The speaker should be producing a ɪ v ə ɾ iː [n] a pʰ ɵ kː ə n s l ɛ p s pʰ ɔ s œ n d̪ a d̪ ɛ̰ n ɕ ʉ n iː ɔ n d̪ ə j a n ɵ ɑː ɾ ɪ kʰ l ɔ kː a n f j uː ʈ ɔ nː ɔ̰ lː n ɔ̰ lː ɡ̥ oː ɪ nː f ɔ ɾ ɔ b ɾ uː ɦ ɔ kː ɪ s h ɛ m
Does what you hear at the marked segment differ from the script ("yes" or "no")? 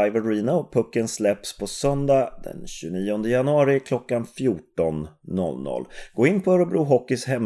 no